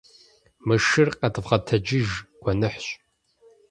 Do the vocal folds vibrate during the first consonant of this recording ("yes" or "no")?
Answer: yes